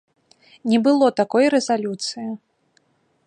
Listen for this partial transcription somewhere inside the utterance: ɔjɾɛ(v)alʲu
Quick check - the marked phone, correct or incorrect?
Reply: incorrect